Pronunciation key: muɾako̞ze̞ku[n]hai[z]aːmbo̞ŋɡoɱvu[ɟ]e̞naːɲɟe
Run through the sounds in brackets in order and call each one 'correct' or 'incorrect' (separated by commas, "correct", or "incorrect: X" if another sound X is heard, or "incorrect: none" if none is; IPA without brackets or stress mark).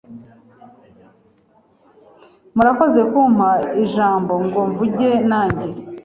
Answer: incorrect: m, incorrect: ʒ, correct